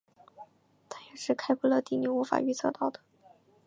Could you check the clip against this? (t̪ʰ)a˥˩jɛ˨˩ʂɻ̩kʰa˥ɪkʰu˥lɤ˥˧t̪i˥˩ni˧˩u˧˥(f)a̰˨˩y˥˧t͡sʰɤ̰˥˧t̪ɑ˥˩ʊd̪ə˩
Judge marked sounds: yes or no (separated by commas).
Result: yes, yes